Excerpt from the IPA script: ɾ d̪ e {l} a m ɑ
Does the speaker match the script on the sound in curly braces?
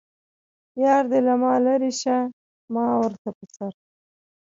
yes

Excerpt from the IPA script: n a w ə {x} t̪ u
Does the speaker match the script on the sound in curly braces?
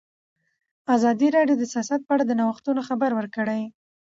yes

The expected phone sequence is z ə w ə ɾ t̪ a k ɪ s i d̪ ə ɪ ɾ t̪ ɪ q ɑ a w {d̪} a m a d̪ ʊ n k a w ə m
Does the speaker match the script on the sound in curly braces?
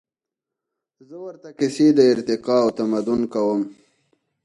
no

